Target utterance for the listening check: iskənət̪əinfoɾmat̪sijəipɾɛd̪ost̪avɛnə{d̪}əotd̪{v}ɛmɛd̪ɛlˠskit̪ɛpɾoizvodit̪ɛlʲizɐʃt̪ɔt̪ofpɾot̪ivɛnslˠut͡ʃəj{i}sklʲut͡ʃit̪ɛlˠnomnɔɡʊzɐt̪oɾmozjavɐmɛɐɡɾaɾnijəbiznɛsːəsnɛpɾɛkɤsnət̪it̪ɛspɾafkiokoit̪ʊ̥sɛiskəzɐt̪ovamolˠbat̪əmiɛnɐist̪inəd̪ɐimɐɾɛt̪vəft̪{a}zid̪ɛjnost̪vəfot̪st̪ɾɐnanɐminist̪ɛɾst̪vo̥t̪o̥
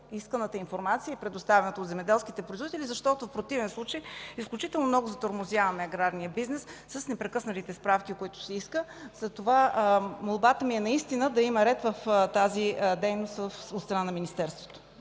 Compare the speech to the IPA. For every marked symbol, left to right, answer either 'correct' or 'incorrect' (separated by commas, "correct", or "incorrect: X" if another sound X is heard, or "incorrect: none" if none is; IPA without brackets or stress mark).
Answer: incorrect: t̪, incorrect: z, correct, correct